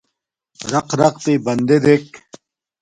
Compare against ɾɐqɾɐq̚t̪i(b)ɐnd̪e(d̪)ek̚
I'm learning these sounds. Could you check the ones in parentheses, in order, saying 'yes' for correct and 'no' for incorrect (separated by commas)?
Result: yes, yes